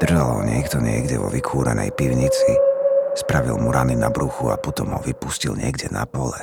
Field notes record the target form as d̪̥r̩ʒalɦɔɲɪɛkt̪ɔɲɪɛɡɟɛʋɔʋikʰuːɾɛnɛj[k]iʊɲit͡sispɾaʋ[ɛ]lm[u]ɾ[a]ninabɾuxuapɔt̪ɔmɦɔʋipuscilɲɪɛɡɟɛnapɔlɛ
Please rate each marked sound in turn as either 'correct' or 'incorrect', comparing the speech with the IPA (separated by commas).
incorrect, incorrect, correct, correct